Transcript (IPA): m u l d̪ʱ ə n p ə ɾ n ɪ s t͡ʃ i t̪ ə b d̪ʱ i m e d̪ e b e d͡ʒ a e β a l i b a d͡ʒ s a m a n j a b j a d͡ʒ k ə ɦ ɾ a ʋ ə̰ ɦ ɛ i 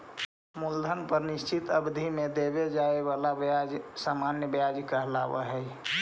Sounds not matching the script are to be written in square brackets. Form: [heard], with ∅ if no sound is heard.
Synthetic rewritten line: m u l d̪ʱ ə n p ə ɾ n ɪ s t͡ʃ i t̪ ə b d̪ʱ i m e d̪ e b e d͡ʒ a e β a l [a] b a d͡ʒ s a m a n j [ə] b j a d͡ʒ k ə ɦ [l] a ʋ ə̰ ɦ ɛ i